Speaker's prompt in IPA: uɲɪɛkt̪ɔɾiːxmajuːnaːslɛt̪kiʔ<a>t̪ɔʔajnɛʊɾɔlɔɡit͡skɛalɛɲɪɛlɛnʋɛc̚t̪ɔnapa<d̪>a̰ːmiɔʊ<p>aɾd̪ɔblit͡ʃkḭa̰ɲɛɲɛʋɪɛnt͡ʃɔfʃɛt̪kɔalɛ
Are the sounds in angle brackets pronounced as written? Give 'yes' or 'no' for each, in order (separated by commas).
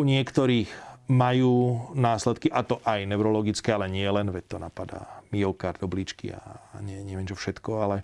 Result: yes, yes, no